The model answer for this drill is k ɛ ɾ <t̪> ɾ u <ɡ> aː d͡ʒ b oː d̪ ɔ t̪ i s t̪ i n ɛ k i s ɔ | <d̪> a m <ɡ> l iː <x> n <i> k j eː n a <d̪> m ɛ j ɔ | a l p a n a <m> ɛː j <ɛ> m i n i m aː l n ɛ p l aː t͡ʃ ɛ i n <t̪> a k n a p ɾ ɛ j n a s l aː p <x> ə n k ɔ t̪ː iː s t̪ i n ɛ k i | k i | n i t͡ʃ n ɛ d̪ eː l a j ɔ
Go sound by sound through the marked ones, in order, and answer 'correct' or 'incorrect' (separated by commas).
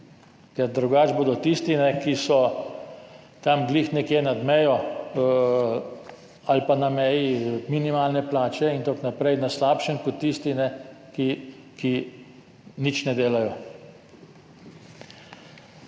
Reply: incorrect, correct, incorrect, correct, correct, incorrect, correct, correct, incorrect, correct, incorrect